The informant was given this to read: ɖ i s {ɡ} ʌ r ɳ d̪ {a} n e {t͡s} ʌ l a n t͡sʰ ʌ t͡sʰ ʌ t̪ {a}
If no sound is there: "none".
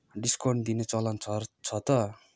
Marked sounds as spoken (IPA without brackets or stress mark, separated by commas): k, i, t͡s, ʌ